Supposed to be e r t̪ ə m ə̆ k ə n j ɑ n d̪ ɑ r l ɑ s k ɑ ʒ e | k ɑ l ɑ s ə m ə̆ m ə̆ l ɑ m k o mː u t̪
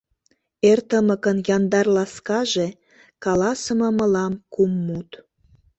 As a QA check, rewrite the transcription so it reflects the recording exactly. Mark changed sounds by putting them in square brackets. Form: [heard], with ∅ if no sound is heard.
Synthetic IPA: e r t̪ ə m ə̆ k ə n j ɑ n d̪ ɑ r l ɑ s k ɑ ʒ e | k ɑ l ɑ s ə m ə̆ m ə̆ l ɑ m k [u] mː u t̪